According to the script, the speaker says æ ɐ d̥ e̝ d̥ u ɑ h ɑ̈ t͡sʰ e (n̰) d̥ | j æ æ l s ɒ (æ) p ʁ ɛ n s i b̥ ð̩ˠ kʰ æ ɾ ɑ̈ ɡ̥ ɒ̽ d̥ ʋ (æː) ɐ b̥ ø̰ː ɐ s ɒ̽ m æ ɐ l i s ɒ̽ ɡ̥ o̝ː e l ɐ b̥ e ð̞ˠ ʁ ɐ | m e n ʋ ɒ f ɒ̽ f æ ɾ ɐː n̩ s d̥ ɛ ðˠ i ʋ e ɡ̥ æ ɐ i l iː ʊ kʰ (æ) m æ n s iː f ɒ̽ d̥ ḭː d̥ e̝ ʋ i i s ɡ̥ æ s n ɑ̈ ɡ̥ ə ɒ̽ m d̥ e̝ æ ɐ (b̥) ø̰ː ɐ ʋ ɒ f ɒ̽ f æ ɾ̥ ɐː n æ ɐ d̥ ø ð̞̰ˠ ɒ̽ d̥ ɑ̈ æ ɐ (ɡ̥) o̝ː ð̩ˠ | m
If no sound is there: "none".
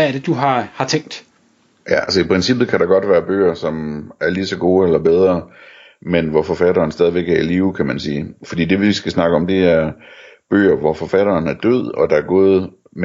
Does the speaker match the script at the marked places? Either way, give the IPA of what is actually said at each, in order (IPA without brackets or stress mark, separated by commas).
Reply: ŋ̰, i, æː, æ, b̥, ɡ̥